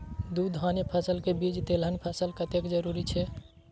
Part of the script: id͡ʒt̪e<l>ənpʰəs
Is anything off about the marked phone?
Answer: no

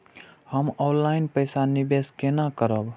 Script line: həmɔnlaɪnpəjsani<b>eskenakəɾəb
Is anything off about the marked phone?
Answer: no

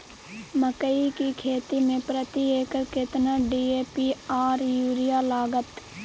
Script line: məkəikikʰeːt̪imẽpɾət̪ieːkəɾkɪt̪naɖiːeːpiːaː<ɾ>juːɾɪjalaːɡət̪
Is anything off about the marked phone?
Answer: no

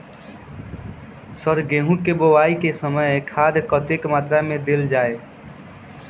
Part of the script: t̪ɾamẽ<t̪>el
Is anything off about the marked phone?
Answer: yes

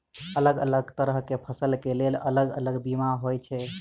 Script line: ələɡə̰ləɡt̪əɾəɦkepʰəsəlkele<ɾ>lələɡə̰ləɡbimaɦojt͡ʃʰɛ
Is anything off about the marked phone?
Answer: yes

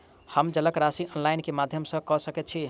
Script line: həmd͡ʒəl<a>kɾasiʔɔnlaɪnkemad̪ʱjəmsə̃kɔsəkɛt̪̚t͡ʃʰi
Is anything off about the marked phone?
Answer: yes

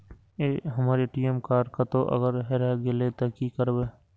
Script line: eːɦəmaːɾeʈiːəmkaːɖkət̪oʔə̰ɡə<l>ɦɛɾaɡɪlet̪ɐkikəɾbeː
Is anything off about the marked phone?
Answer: yes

